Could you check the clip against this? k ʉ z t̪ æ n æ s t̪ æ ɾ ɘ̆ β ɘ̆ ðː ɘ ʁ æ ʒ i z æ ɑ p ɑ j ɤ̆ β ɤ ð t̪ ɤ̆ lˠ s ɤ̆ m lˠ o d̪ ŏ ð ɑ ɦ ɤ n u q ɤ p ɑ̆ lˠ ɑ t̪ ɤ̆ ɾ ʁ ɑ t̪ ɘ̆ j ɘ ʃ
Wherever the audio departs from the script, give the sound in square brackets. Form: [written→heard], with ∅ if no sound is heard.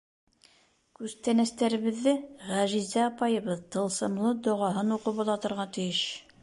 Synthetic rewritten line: k ʉ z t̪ æ n æ s t̪ æ ɾ ɘ̆ β ɘ̆ ðː ɘ ʁ æ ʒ i z æ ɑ p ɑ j ɤ̆ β ɤ ð t̪ ɤ̆ lˠ s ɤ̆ m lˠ [o→ɤ] d̪ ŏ [ð→ʁ] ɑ ɦ ɤ n u q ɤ p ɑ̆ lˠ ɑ t̪ ɤ̆ ɾ ʁ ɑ t̪ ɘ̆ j ɘ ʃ